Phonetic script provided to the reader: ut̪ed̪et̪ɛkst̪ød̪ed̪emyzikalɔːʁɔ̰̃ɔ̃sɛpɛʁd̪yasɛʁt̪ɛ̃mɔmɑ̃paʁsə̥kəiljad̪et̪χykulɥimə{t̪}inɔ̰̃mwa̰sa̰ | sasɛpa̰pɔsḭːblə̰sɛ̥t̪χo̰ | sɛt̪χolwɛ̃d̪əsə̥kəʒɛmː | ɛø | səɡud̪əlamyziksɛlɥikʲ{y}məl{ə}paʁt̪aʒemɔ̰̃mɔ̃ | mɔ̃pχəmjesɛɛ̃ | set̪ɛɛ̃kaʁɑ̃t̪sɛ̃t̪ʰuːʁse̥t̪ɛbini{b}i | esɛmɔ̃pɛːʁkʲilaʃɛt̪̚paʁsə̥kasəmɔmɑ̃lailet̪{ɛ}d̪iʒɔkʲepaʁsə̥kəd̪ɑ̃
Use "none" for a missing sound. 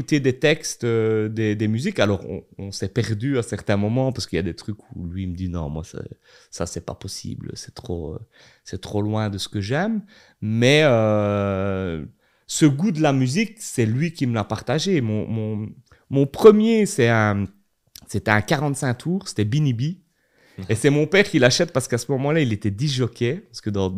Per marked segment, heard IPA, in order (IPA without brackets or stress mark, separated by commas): d̪, i, a, b, ɛ